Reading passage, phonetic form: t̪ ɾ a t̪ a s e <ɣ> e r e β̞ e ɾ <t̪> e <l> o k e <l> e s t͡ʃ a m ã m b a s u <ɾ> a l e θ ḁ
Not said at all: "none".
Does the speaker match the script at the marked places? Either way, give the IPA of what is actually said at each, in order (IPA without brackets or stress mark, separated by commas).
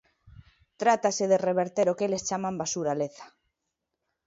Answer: ð, t̪, ɾ, l, ɾ